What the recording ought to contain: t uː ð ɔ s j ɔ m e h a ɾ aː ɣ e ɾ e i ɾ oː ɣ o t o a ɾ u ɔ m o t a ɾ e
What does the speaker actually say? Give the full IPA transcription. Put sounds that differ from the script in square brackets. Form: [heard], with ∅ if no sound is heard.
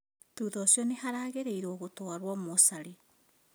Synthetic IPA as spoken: t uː ð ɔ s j ɔ [n] e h a ɾ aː ɣ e ɾ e i ɾ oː ɣ o t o a ɾ [w] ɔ m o [s] a ɾ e